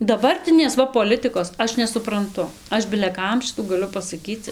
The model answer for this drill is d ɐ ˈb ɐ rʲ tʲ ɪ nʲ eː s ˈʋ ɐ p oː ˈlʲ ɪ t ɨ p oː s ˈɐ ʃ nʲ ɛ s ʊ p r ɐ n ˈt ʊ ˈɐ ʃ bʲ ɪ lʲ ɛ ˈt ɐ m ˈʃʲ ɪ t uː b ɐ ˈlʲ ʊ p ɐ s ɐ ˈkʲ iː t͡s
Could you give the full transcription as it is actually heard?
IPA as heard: d ɐ ˈb ɐ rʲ tʲ ɪ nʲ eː s ˈʋ ɐ p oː ˈlʲ ɪ t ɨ k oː s ˈɐ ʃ nʲ ɛ s ʊ p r ɐ n ˈt ʊ ˈɐ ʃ bʲ ɪ lʲ ɛ ˈk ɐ m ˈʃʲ ɪ t uː ɡ ɐ ˈlʲ ʊ p ɐ s ɐ ˈkʲ iː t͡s